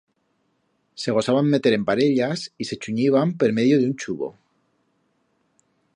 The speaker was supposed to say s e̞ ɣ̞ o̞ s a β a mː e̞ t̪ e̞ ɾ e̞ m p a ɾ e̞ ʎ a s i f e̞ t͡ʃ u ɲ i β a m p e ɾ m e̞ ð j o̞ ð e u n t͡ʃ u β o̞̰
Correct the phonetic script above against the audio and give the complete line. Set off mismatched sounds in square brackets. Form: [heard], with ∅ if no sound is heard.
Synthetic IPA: s e̞ ɣ̞ o̞ s a β a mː e̞ t̪ e̞ ɾ e̞ m p a ɾ e̞ ʎ a s i [s] e̞ t͡ʃ u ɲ i β a m p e ɾ m e̞ ð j o̞ ð e u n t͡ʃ u β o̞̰